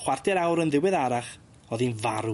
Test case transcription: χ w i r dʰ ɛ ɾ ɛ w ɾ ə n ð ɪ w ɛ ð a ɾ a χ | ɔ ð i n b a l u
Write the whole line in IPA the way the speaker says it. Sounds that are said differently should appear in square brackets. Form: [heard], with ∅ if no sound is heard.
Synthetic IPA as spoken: χ w [a] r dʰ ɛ ɾ [a] w ɾ ə n ð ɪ w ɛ ð a ɾ a χ | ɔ ð i n [v] a [ɾ] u